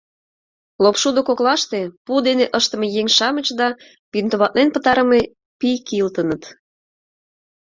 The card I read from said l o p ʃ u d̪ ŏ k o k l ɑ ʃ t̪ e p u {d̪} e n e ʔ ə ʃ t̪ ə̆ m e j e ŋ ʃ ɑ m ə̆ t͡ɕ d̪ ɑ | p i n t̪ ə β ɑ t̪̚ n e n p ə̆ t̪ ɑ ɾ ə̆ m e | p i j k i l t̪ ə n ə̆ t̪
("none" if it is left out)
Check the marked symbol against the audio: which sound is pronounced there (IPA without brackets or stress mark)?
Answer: d̪